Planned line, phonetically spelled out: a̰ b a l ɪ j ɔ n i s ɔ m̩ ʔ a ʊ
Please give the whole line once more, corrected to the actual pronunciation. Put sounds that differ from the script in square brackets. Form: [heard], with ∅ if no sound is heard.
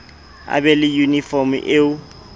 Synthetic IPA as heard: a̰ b [ɛ] l ɪ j [u] n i [f] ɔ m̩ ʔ [e] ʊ